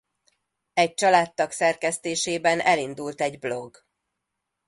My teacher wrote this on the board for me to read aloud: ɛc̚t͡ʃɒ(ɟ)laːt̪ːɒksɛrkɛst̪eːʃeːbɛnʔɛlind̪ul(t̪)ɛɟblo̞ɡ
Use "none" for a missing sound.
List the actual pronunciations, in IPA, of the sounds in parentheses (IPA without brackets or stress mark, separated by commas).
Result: none, t̪